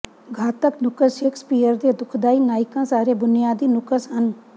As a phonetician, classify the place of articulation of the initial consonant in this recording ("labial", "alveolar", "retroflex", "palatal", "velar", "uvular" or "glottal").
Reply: velar